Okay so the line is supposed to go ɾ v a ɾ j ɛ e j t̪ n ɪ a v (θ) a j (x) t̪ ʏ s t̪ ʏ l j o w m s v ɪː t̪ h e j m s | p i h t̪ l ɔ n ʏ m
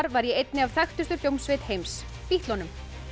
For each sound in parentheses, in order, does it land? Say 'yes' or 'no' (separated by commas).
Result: yes, yes